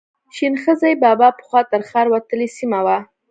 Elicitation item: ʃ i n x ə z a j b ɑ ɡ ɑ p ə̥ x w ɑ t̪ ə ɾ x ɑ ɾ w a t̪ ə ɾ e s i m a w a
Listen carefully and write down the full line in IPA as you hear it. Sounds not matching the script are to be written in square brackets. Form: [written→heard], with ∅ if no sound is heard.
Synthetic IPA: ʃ i n x ə z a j b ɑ [ɡ→b] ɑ p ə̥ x w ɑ t̪ ə ɾ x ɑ ɾ w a t̪ ə [ɾ→l] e s i m a w a